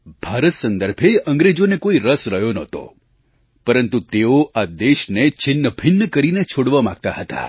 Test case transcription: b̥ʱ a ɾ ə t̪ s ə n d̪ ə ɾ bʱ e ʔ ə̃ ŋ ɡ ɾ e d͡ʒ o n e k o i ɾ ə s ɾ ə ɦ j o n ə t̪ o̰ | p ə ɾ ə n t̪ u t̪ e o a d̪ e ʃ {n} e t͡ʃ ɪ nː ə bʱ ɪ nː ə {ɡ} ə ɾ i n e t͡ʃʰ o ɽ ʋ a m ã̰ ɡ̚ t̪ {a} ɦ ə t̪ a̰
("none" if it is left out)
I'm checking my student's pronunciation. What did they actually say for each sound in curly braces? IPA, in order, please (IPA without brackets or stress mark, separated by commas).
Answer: n, k, a